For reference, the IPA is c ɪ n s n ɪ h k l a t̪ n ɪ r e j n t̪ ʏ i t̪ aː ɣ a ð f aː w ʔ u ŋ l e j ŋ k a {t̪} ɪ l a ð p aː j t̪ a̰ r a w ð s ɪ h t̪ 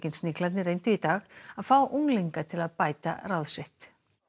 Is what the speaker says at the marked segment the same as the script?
no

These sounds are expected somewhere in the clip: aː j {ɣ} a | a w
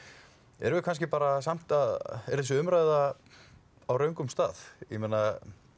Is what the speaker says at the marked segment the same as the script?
no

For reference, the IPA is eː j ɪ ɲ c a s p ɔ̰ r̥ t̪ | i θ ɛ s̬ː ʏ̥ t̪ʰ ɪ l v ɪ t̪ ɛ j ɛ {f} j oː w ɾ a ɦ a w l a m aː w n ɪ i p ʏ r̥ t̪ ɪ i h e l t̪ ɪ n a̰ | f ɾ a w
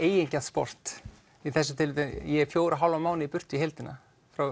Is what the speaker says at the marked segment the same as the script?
yes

